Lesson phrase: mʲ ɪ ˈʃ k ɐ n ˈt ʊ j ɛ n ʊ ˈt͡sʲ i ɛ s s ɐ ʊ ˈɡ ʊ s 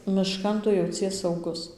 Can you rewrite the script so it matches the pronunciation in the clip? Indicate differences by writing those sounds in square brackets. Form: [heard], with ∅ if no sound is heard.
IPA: mʲ ɪ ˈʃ k ɐ n ˈt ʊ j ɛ [∅] ʊ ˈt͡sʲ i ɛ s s ɐ ʊ ˈɡ ʊ s